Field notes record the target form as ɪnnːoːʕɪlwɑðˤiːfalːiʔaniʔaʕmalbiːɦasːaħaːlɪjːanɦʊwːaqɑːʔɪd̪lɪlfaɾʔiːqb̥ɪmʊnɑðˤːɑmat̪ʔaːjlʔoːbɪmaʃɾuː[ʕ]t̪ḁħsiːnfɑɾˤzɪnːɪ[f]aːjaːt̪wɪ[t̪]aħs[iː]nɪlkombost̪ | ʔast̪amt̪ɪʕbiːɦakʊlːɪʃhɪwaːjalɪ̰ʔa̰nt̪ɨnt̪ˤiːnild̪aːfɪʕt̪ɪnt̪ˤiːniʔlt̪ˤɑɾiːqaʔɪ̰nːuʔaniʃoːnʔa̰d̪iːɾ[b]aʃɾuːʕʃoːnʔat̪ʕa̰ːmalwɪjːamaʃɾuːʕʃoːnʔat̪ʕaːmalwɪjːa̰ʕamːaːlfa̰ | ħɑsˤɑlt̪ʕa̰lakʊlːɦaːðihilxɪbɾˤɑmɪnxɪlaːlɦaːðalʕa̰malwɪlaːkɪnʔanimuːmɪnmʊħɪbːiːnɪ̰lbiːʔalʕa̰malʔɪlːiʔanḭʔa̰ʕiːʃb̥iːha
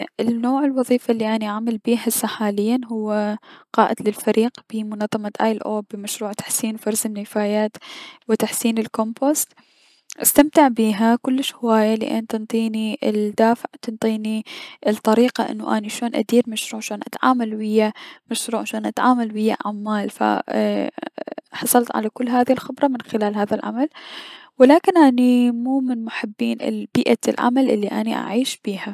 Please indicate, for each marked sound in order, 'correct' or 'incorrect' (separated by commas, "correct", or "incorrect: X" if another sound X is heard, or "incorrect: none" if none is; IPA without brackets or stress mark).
correct, correct, correct, correct, incorrect: m